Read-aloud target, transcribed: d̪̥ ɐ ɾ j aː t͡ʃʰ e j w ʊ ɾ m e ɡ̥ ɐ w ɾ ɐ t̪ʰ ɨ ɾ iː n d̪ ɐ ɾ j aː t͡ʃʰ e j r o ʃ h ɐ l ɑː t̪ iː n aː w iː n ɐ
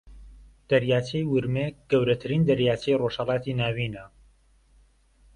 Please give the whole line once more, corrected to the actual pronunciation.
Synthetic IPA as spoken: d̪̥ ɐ ɾ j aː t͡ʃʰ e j w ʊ ɾ m e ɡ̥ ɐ w ɾ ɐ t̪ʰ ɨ ɾ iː n d̪ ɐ ɾ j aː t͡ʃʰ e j r o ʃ h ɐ l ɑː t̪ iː n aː w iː n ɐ